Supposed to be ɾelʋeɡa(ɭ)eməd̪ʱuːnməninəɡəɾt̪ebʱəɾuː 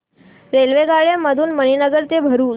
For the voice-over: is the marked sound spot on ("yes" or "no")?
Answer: yes